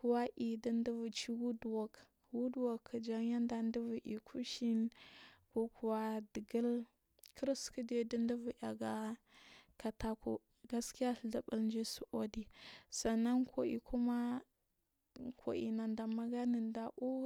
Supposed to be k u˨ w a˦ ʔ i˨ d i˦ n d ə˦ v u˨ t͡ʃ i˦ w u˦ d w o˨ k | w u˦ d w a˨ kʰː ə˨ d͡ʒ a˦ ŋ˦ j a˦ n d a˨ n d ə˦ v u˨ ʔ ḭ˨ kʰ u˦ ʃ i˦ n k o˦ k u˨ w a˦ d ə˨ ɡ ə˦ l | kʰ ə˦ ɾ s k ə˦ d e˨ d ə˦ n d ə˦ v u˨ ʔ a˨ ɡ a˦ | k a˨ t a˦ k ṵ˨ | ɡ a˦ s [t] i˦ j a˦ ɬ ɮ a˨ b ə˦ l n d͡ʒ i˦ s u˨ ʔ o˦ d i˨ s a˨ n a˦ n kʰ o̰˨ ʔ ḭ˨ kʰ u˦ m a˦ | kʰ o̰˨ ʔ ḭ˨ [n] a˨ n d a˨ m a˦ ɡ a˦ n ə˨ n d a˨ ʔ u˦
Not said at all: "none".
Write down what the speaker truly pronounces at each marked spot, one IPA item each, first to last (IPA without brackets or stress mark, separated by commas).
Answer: k, n